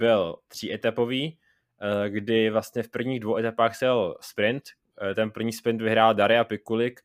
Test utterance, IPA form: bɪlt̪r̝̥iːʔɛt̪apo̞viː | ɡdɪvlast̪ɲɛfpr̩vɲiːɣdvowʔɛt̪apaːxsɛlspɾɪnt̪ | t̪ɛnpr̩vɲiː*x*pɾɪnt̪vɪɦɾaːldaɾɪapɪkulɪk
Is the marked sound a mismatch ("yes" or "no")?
yes